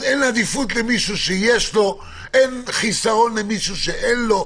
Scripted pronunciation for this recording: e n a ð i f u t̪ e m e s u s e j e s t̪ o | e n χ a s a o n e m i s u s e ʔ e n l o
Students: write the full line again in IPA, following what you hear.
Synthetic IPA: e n a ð i f u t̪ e m i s u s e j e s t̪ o | e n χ i s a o n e m i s u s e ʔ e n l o